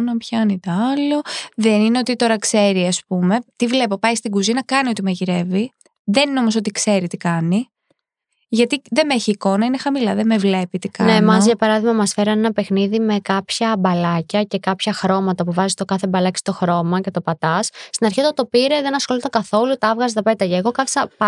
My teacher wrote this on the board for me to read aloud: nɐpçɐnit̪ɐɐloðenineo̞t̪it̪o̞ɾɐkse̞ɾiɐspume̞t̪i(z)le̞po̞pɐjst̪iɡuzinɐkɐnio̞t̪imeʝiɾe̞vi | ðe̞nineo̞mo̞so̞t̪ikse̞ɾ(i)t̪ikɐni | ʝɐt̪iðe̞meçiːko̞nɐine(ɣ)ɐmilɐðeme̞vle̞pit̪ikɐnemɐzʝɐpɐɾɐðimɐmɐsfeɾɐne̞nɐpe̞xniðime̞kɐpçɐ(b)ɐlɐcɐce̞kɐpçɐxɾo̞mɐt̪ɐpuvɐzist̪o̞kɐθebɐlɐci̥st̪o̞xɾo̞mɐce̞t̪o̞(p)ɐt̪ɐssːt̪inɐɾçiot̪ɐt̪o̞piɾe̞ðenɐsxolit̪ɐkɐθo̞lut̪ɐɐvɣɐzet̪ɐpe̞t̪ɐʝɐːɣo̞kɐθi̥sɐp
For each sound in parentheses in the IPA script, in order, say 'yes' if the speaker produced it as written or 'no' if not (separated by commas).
no, yes, no, yes, yes